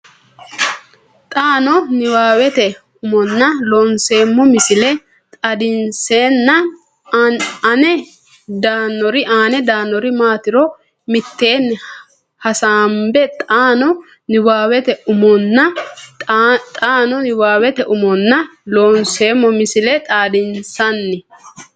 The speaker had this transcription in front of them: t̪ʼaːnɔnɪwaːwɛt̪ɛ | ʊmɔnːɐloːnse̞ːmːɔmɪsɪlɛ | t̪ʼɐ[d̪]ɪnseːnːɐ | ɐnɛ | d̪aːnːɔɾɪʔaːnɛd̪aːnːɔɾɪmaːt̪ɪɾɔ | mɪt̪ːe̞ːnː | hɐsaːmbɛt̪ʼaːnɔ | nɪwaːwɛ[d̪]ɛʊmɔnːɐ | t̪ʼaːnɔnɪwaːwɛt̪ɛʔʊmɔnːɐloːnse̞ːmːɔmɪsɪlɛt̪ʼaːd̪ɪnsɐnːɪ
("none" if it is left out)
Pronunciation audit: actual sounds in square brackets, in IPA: d̪, t̪

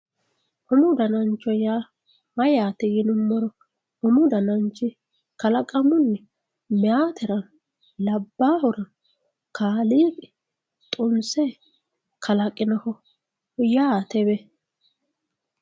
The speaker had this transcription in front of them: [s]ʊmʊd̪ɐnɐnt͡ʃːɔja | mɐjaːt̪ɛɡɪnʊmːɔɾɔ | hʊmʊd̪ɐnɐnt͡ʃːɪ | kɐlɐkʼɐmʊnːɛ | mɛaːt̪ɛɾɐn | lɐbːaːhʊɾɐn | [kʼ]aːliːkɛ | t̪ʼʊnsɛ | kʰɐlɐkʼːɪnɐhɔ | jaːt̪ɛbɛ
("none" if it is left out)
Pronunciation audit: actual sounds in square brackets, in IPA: h, k

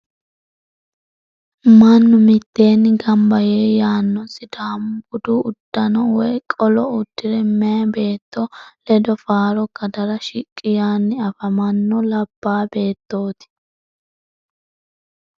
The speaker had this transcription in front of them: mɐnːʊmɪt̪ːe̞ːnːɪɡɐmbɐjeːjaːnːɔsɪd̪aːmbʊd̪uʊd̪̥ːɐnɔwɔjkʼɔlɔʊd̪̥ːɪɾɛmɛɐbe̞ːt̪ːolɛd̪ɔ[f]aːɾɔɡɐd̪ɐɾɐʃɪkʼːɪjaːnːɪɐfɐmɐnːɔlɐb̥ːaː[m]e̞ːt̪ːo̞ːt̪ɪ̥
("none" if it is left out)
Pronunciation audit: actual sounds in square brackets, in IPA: f, b

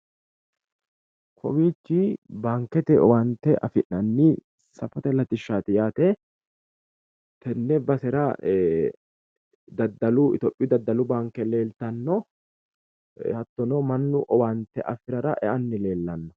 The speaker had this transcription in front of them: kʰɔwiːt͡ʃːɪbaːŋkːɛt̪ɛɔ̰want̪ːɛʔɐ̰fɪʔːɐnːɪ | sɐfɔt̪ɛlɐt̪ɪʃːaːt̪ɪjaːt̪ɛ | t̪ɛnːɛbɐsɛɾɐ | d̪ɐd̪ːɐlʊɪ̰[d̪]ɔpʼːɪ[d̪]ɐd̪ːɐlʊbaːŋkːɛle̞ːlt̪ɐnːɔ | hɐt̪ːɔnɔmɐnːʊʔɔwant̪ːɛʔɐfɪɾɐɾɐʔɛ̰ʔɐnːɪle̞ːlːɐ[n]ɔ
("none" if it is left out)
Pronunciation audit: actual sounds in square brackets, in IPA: t̪, d̪, nː

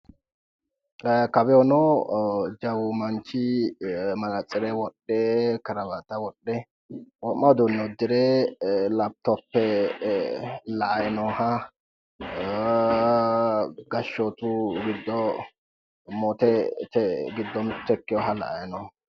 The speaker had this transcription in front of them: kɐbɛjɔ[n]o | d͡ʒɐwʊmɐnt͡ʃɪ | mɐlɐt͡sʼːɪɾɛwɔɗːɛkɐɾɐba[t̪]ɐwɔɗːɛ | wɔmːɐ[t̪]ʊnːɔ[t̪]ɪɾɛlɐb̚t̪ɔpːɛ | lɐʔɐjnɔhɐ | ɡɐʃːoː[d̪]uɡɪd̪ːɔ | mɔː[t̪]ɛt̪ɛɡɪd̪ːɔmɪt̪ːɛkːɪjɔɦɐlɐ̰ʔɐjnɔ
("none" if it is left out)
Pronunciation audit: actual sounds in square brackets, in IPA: n, t̪, d̪, d̪, t̪, t̪

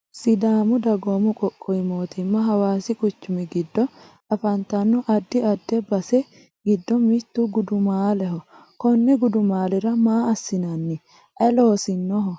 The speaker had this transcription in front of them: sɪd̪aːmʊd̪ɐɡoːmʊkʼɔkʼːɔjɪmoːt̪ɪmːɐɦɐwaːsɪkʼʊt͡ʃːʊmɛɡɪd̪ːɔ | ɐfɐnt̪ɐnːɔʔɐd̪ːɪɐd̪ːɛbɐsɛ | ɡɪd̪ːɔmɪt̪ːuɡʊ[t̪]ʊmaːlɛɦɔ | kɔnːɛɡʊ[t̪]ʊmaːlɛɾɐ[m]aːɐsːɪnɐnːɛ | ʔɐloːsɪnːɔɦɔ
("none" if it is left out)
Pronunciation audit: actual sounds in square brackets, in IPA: d̪, d̪, m

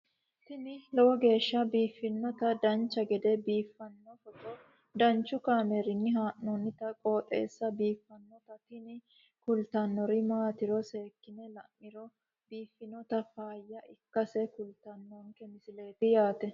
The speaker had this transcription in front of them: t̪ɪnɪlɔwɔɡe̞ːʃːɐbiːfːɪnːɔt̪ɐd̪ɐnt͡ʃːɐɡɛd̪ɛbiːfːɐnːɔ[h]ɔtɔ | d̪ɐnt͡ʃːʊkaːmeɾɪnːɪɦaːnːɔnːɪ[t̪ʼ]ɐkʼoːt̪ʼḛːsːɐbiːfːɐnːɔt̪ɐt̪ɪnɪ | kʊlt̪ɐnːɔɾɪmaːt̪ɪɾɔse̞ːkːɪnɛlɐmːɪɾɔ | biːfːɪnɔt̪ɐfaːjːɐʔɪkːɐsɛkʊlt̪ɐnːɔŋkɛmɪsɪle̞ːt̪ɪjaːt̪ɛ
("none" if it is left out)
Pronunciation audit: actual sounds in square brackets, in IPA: f, t̪

